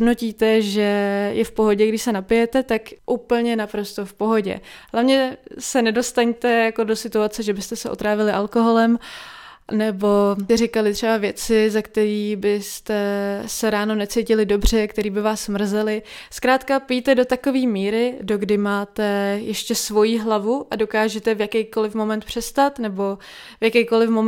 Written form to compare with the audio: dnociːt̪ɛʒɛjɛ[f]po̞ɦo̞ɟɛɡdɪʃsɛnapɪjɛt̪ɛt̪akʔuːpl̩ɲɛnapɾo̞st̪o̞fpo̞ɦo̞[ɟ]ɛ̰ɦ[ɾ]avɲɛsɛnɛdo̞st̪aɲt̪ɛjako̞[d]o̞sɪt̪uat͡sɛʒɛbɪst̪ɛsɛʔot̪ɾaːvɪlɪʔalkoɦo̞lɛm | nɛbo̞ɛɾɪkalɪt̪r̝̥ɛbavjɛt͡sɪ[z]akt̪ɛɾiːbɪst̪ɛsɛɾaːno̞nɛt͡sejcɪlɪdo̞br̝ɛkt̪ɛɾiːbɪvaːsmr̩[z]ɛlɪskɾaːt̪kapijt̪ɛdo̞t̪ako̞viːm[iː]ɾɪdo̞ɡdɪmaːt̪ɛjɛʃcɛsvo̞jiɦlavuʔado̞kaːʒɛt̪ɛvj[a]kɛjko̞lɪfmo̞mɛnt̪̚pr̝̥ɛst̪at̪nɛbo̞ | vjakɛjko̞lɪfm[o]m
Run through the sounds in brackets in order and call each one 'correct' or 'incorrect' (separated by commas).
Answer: correct, correct, incorrect, correct, correct, correct, correct, correct, correct